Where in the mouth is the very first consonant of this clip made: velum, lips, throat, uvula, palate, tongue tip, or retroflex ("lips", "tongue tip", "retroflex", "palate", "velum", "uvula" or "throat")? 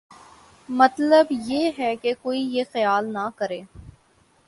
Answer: lips